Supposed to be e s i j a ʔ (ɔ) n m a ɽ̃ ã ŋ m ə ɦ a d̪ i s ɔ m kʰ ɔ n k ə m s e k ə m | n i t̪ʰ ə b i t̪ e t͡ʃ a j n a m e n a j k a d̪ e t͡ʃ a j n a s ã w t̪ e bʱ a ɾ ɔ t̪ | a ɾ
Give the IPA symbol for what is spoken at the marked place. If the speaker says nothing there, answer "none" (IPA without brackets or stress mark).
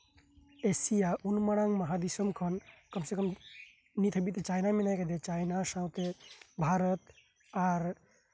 u